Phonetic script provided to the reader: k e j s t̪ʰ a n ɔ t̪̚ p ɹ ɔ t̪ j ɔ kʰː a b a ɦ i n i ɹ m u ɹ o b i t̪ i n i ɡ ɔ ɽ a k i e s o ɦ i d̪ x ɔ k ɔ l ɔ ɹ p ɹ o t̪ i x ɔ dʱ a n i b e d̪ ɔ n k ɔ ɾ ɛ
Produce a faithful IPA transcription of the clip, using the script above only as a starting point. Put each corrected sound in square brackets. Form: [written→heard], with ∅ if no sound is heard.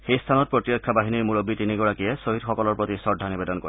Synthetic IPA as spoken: [k→x] e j s t̪ʰ a n ɔ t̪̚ p ɹ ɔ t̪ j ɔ kʰː a b a ɦ i n i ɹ m u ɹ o b i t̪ i n i ɡ ɔ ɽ a k i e s o ɦ i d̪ x ɔ k ɔ l ɔ ɹ p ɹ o t̪ i [x→s] ɔ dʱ a n i b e d̪ ɔ n k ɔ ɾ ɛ